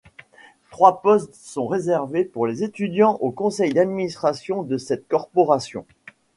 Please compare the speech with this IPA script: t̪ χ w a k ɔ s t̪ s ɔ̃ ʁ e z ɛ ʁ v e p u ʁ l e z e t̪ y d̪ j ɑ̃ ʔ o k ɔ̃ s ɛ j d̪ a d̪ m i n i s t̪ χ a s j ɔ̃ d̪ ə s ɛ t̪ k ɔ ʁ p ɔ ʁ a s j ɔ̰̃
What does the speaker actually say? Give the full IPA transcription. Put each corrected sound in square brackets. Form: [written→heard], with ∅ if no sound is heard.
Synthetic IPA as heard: t̪ χ w a [k→p] ɔ s t̪ s ɔ̃ ʁ e z ɛ ʁ v e p u ʁ l e z e t̪ y d̪ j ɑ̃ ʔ o k ɔ̃ s ɛ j d̪ a d̪ m i n i s t̪ χ a s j ɔ̃ d̪ ə s ɛ t̪ k ɔ ʁ p ɔ ʁ a s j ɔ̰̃